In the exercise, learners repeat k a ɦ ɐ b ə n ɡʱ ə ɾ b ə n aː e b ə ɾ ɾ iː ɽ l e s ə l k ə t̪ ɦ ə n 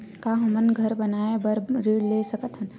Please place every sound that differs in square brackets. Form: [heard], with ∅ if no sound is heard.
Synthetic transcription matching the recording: k a ɦ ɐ [m] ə n ɡʱ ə ɾ b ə n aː e b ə ɾ ɾ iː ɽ l e s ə [∅] k ə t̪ ɦ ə n

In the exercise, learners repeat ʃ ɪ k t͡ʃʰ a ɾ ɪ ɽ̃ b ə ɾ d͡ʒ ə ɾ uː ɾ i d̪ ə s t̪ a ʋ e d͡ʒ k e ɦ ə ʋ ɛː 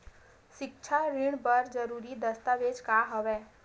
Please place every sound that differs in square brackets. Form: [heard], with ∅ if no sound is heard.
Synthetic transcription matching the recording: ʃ ɪ k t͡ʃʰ a ɾ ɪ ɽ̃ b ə ɾ d͡ʒ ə ɾ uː ɾ i d̪ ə s t̪ a ʋ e d͡ʒ k [a] ɦ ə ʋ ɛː

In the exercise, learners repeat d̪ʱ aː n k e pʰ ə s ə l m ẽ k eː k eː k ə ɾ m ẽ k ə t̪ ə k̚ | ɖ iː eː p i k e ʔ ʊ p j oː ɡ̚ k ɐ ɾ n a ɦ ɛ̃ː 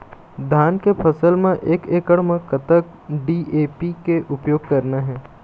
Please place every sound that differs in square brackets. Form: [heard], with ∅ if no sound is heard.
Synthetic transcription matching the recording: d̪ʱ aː n k e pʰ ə s ə l m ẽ [ʔ] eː k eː k ə [ɽ] m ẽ k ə t̪ ə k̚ | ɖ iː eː p i k e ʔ ʊ p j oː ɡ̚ k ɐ ɾ n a ɦ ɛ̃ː

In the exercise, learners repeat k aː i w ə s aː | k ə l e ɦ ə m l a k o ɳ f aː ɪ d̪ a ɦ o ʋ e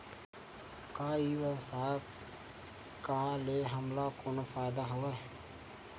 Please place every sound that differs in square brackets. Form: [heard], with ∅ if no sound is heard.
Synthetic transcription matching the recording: k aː i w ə s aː | k [a] l e ɦ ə m l a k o [n] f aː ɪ d̪ a ɦ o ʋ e

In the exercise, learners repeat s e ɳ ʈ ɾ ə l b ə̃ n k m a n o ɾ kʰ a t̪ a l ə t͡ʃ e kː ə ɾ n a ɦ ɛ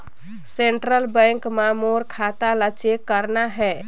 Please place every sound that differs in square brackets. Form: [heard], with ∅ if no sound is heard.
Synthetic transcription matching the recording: s e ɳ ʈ ɾ ə l b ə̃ [ŋ] k m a [m] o ɾ kʰ a t̪ a l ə t͡ʃ e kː ə ɾ n a ɦ ɛ

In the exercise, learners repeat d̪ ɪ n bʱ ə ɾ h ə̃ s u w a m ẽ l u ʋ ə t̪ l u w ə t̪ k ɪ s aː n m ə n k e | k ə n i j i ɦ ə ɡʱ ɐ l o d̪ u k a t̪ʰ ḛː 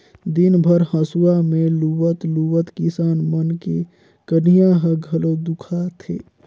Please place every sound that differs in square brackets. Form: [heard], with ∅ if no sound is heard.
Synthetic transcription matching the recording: d̪ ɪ n bʱ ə ɾ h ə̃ s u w a m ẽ l u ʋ ə t̪ l u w ə t̪ k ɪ s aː n m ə n k e | k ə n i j [a] ɦ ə ɡʱ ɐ l o d̪ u [kʰ] a t̪ʰ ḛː

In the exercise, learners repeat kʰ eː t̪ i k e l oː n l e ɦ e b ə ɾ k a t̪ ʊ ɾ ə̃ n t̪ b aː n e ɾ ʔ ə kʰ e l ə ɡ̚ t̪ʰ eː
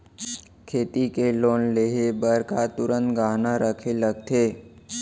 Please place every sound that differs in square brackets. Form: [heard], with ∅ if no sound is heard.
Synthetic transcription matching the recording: kʰ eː t̪ i k e l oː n l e ɦ e b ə ɾ k a t̪ ʊ ɾ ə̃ n t̪ [ɡ] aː n [a] ɾ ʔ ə kʰ e l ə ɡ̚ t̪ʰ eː

